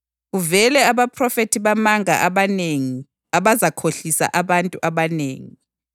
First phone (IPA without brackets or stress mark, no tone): ɣ